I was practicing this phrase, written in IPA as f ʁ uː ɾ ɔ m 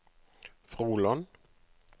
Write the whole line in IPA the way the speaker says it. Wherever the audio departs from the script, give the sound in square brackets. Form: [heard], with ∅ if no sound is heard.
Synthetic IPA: f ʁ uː [l] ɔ [n]